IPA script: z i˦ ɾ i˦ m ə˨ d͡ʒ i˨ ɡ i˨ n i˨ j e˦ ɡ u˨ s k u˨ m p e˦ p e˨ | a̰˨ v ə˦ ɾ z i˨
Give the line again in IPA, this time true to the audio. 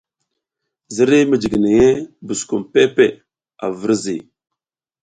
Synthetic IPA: z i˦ ɾ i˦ m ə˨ d͡ʒ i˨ ɡ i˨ n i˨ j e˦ b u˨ s k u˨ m p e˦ p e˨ | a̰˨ v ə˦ ɾ z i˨